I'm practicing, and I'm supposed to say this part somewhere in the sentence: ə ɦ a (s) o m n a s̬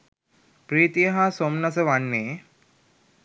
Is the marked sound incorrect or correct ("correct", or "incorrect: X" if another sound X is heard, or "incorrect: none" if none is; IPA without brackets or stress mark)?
correct